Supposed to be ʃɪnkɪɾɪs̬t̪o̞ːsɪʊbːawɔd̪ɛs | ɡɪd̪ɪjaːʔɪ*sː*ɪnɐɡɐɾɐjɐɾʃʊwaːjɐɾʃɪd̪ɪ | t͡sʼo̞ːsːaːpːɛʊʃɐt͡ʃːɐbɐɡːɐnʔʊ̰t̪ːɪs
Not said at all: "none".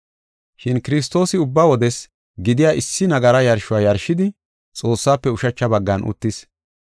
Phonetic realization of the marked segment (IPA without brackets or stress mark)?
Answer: sː